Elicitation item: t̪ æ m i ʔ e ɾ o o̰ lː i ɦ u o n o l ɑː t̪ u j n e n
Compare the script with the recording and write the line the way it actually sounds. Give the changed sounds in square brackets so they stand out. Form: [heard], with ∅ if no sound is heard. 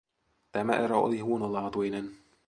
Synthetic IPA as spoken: t̪ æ m [æ] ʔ e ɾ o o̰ [l] i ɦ u o n o l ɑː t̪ u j n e n